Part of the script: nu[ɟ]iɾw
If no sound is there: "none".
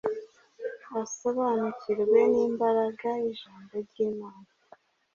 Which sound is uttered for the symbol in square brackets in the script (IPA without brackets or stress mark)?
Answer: c